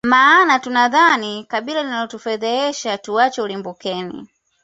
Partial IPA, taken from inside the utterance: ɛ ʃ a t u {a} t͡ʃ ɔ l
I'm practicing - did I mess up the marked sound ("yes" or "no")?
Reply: no